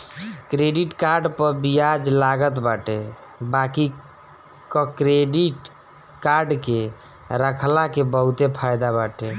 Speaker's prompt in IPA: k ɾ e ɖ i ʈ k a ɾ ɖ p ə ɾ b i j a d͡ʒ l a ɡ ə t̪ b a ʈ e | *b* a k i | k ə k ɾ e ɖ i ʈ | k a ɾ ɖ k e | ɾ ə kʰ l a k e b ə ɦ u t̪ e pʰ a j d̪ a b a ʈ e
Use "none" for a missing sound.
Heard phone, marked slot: b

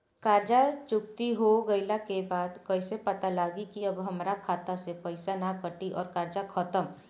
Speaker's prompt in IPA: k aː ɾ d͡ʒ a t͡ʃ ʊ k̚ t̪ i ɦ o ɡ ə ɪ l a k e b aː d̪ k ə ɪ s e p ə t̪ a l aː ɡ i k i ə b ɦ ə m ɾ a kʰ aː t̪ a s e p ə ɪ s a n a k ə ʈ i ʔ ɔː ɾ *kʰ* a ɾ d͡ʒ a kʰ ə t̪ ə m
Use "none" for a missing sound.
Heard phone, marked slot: k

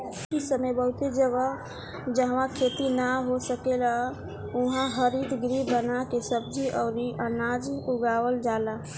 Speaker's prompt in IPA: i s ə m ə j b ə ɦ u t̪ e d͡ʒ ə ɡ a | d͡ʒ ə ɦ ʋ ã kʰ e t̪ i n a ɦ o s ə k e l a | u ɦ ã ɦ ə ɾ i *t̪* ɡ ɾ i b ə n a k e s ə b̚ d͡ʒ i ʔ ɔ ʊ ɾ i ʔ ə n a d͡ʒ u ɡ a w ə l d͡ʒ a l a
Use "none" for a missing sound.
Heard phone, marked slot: d̪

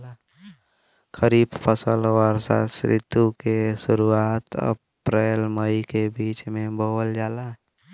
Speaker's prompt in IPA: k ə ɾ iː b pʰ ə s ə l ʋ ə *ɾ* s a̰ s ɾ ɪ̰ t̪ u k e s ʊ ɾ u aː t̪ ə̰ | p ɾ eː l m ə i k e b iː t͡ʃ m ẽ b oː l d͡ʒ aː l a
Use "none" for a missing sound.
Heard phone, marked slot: ɾ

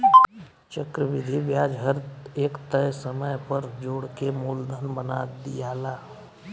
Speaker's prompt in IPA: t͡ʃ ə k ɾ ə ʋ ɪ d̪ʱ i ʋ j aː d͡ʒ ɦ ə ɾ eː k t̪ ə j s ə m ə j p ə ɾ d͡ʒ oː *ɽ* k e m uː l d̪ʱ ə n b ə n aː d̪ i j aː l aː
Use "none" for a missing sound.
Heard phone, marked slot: ɽ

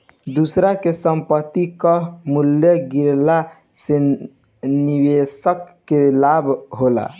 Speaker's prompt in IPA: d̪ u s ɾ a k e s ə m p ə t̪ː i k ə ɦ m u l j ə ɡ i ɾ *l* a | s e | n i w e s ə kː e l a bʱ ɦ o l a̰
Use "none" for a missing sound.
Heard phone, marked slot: l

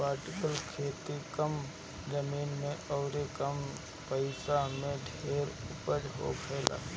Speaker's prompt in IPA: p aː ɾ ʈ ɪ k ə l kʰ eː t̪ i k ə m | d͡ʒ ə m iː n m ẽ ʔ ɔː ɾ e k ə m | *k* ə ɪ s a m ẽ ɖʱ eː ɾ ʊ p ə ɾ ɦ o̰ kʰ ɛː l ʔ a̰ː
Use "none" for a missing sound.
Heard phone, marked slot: p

